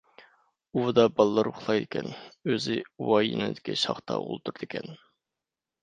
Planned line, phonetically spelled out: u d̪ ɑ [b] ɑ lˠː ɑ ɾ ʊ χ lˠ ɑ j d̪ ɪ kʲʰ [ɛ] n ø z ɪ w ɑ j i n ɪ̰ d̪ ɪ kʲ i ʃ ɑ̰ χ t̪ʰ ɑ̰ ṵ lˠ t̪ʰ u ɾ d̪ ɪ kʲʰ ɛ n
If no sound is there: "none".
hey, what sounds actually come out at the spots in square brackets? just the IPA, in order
b, ɛ

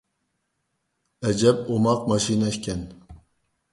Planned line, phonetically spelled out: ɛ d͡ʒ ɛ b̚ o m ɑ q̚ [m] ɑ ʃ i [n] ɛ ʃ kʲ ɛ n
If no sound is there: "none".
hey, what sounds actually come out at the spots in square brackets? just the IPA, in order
m, n

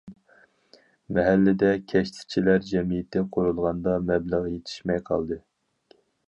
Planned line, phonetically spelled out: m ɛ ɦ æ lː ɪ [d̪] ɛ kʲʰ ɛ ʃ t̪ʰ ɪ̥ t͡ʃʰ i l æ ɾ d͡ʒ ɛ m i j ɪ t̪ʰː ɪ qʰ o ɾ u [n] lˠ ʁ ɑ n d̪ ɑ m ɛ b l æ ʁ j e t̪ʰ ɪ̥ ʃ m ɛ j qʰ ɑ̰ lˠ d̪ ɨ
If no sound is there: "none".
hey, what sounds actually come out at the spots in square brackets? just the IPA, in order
d̪, none

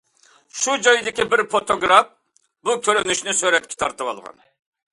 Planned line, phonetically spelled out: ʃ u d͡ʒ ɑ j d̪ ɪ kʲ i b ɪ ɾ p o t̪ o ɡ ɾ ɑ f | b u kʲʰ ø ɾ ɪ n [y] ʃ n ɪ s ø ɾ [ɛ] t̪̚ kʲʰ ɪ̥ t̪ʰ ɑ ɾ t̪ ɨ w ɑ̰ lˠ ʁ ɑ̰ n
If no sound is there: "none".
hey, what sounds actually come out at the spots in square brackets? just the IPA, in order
y, ɛ

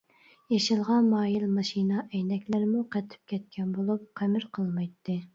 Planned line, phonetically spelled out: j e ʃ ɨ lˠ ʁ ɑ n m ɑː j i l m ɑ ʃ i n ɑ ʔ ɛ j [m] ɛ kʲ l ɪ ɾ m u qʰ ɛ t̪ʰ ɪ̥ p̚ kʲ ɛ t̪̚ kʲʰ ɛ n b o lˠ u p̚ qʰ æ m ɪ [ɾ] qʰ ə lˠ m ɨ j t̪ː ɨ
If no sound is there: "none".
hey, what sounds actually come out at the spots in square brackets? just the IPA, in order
n, ɾ

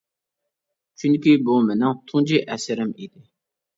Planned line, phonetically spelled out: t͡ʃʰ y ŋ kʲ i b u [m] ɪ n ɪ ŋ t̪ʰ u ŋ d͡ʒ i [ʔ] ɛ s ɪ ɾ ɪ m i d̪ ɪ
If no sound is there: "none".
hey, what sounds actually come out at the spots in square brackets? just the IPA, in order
m, ʔ

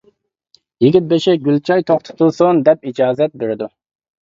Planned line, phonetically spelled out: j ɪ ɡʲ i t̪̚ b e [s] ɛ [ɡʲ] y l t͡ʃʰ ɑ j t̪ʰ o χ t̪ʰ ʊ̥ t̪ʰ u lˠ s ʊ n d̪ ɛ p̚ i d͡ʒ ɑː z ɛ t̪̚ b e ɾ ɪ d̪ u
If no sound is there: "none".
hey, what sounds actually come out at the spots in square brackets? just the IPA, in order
ʃ, ɡʲ

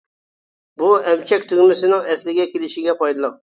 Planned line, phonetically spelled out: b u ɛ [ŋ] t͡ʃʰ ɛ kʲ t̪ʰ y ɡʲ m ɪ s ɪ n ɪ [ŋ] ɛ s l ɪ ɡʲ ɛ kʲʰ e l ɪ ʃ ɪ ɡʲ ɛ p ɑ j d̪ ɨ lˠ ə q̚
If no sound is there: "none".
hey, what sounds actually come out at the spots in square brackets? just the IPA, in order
m, ŋ

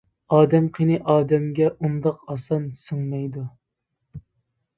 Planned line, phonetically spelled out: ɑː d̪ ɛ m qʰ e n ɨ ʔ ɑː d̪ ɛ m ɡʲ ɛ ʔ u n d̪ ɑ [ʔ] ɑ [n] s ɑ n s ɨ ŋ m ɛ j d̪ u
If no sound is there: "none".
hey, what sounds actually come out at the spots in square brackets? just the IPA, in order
q, none

